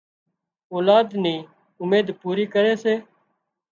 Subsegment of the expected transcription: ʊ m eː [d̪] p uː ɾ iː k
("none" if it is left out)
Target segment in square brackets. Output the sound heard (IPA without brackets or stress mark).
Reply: d̪